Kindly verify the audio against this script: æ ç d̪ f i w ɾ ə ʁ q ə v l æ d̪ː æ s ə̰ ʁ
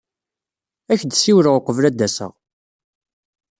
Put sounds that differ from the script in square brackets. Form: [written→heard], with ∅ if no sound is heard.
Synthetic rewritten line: æ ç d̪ [f→s] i w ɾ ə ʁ q ə v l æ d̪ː æ s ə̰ ʁ